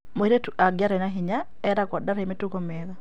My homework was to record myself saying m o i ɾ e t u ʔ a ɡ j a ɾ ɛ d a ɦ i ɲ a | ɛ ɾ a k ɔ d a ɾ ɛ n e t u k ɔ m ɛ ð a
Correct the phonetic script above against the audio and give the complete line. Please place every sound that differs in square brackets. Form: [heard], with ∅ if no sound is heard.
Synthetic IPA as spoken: m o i ɾ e t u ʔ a ɡ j a ɾ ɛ [n] a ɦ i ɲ a | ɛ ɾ a k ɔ d a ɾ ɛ [m] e t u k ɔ m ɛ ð a